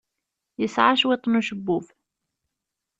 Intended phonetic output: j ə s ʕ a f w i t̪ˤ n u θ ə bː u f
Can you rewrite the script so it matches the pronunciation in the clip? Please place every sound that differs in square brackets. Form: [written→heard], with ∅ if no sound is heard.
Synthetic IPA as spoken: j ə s ʕ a [f→ʃ] w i t̪ˤ n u [θ→ʃ] ə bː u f

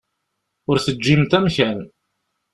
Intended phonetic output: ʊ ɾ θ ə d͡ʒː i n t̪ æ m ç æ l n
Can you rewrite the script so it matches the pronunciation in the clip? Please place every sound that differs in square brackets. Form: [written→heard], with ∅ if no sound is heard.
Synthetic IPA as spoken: ʊ ɾ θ ə d͡ʒː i [n→m] t̪ æ m ç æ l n

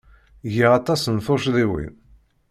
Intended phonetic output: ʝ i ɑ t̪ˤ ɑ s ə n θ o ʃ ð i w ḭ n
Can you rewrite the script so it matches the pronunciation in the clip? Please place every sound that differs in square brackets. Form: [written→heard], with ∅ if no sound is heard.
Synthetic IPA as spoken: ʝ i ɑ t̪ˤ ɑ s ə n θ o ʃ ð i w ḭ n

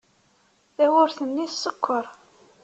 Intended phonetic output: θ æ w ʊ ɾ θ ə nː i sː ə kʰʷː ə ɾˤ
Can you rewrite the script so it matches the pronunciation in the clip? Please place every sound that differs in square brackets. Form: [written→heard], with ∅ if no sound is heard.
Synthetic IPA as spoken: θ æ w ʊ ɾ θ ə nː i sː ə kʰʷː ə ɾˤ

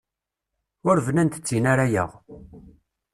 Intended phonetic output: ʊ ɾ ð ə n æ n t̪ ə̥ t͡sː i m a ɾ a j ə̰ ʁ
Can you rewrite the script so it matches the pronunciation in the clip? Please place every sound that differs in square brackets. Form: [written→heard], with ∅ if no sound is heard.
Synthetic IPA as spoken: ʊ ɾ [ð→v] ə n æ n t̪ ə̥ t͡sː i [m→n] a ɾ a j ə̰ ʁ

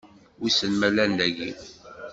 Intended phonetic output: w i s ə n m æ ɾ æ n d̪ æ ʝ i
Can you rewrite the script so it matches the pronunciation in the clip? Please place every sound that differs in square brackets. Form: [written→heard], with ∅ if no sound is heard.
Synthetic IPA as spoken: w i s ə n m æ [ɾ→l] æ n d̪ æ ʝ i

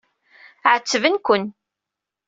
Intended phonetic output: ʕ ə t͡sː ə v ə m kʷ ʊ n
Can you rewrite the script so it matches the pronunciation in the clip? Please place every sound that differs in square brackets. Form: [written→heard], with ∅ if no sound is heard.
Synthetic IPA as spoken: ʕ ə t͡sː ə v ə [m→n] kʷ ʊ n

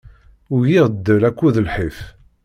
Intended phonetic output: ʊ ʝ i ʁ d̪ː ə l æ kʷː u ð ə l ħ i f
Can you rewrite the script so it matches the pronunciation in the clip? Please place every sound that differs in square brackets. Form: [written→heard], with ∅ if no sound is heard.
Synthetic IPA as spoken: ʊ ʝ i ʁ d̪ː ə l æ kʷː u ð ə l ħ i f

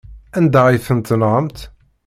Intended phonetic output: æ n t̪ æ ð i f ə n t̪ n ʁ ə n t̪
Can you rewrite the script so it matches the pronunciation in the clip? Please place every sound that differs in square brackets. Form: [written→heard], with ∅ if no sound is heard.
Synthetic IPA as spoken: æ n [t̪→d̪] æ [ð→ʁ] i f ə n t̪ n ʁ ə [n→m] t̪

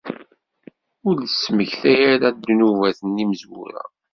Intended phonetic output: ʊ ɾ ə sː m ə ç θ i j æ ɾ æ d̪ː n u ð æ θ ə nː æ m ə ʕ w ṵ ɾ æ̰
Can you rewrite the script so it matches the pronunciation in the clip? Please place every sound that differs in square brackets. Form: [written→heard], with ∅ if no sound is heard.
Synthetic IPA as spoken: ʊ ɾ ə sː m ə ç θ [i→æ] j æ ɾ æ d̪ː n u [ð→v] æ θ ə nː [æ→i] m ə [ʕ→z] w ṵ ɾ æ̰

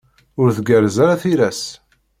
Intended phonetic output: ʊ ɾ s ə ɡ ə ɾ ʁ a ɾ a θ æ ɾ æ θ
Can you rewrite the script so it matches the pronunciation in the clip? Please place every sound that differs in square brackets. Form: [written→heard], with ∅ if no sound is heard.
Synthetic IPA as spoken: ʊ ɾ [s→θ] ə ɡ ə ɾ [ʁ→z] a ɾ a θ [æ→i] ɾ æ [θ→s]

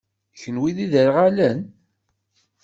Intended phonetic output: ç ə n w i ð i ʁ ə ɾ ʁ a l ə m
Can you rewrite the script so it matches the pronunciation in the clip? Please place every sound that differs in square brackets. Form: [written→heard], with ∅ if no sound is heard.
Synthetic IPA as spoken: ç ə n w i ð i [ʁ→ð] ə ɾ ʁ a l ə [m→n]

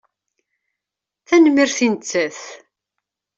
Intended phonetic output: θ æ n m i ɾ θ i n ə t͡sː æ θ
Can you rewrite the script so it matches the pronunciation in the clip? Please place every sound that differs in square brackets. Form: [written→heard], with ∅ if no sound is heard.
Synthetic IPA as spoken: θ æ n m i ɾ θ i n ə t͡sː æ θ

